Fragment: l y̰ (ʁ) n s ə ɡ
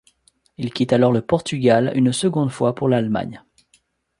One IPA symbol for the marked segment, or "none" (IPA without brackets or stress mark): none